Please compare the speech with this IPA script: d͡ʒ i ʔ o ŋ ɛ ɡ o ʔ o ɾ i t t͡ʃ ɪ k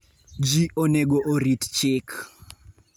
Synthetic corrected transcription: d͡ʒ i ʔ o n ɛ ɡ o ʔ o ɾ i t t͡ʃ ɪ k